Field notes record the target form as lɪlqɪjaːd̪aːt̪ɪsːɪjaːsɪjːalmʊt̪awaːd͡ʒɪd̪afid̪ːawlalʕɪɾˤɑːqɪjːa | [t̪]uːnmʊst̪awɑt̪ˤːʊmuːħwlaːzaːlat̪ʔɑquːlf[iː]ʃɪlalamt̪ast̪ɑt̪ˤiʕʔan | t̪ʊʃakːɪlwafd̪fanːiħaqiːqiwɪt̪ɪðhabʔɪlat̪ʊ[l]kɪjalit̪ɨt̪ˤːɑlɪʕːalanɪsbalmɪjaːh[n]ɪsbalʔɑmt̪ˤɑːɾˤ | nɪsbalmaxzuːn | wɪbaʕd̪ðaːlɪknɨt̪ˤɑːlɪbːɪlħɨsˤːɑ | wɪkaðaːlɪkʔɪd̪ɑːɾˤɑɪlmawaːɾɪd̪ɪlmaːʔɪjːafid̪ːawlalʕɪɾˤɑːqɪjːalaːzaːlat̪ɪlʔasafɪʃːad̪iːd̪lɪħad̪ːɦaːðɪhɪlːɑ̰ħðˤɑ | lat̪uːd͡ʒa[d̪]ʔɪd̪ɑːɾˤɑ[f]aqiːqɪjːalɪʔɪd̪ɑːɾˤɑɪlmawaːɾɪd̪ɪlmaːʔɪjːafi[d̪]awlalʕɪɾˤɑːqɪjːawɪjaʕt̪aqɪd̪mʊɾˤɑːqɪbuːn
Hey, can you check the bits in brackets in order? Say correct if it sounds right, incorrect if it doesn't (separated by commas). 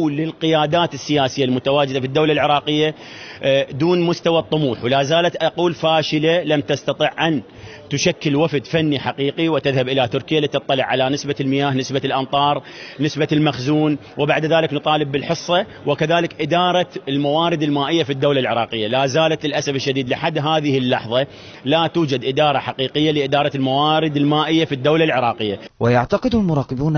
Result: incorrect, incorrect, incorrect, correct, correct, incorrect, incorrect